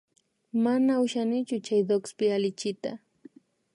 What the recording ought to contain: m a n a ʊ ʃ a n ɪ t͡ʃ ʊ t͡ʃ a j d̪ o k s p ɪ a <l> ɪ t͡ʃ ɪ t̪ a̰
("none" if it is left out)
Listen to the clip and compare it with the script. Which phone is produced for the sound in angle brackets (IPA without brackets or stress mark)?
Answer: l